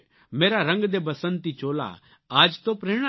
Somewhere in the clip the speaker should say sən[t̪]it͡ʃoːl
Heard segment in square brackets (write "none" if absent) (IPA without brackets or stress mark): t̪